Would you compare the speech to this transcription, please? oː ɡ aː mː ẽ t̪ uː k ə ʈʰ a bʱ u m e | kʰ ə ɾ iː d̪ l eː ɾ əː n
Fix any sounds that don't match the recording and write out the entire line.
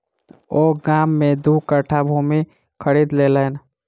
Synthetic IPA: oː ɡ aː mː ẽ d̪ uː k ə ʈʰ a bʱ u m i | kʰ ə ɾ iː d̪ l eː l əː n

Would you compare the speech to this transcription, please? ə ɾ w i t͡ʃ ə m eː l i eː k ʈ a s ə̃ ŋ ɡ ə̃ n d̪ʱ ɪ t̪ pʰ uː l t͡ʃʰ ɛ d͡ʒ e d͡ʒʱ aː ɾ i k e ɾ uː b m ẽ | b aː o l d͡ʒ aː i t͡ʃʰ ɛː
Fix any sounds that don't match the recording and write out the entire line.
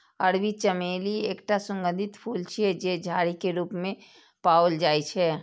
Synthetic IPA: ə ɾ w i t͡ʃ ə m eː l i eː k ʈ a s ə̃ ŋ ɡ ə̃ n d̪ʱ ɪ t̪ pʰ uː l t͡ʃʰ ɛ d͡ʒ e d͡ʒʱ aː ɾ i k e ɾ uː p m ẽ | p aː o l d͡ʒ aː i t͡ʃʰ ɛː

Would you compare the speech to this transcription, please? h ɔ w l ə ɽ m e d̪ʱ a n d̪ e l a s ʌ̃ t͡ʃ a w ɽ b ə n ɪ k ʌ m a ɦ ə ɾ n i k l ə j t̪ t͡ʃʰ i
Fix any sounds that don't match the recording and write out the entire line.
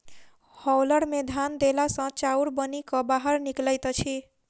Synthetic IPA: h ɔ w l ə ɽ m e d̪ʱ a n d̪ e l a s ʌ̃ t͡ʃ a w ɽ b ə n i k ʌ b a ɦ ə ɾ n i k l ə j t̪ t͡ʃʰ i

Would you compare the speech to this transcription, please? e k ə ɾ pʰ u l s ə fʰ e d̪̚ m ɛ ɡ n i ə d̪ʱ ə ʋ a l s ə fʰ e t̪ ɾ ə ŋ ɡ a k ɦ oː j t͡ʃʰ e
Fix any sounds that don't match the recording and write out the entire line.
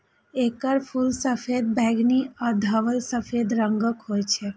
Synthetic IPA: e k ə ɾ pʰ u l s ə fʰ e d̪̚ b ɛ ɡ n i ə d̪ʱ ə ʋ ə l s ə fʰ e d̪ ɾ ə ŋ ɡ ə k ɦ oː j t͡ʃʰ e

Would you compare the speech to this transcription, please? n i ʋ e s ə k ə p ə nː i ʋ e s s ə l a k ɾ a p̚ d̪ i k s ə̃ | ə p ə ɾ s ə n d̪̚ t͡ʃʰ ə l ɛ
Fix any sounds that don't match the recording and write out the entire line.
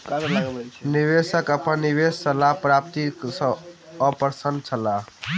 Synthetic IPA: n i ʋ e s ə k ə p ə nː i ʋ e s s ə l a p ɾ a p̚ t̪ i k s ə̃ | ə p ə ɾ s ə n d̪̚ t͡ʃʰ ə l a

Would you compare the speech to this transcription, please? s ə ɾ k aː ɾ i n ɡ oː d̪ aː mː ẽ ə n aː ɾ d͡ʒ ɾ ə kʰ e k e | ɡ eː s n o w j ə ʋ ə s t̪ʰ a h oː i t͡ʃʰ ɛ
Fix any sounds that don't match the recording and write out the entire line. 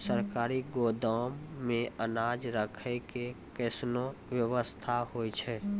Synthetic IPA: s ə ɾ k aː ɾ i ɡ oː d̪ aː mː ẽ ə n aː d͡ʒ ɾ ə kʰ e k e | k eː s n o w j ə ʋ ə s t̪ʰ a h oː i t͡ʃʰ ɛ

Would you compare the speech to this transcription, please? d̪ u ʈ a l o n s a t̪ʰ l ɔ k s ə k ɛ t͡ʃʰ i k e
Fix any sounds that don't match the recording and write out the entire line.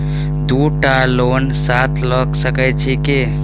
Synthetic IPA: d̪ u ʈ a l o n s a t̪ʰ l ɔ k s ə k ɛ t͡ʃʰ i k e

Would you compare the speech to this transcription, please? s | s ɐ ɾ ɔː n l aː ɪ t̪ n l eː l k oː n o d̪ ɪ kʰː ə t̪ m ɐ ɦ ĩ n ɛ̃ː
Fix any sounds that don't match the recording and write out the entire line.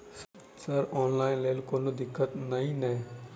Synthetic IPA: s | s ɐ ɾ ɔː n l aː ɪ n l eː l k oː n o d̪ ɪ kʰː ə t̪ n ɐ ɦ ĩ n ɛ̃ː

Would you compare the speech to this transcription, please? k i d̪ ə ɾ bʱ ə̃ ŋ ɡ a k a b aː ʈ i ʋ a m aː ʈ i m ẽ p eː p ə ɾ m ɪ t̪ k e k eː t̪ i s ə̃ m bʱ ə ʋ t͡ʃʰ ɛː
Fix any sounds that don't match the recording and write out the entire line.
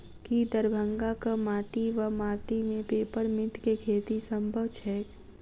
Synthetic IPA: k i d̪ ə ɾ bʱ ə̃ ŋ ɡ a k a m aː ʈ i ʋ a m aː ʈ i m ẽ p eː p ə ɾ m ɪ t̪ k e kʰ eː t̪ i s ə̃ m bʱ ə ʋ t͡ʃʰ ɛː

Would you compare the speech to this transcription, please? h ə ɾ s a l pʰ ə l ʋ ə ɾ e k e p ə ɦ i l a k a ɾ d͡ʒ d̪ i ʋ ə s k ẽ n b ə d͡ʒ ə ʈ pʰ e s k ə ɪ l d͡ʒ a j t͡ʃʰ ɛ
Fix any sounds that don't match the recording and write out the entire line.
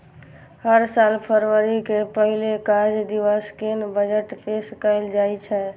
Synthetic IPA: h ə ɾ s a l pʰ ə ɾ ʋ ə ɾ i k e p ə ɦ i l e k a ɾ d͡ʒ d̪ i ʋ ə s k e n b ə d͡ʒ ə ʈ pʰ e s k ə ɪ l d͡ʒ a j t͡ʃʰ ɛ

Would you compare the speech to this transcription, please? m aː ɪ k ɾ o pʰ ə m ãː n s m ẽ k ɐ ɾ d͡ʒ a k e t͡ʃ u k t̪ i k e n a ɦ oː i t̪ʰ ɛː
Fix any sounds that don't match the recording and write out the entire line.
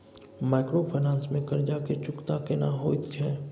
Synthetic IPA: m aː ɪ k ɾ o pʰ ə n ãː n s m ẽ k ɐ ɾ d͡ʒ a k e t͡ʃ ʊ k t̪ a k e n a ɦ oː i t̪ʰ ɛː

